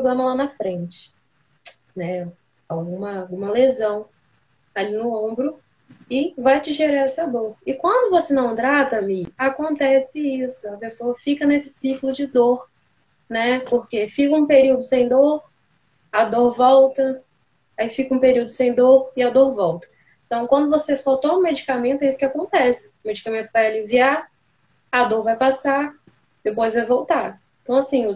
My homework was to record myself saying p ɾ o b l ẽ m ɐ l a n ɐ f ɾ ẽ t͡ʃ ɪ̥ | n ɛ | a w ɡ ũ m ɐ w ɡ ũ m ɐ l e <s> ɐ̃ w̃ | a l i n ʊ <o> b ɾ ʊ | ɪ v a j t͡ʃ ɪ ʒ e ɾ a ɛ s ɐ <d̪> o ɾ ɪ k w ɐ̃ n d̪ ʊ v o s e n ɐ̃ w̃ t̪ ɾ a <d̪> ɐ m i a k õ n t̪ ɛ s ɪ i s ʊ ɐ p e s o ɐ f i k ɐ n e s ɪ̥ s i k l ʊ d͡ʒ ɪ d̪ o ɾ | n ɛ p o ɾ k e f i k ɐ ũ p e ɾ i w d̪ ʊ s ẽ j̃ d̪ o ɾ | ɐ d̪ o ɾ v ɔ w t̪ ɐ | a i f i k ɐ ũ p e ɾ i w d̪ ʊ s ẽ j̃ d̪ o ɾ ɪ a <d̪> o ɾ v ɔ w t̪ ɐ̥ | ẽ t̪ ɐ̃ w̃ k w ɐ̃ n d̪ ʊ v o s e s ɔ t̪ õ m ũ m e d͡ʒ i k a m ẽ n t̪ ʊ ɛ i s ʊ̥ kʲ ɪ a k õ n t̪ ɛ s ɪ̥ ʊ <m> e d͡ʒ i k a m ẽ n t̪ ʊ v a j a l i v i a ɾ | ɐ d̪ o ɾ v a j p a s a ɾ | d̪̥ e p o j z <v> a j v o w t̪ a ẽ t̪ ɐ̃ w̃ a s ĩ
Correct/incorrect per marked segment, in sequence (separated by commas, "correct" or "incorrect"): incorrect, incorrect, correct, incorrect, correct, correct, correct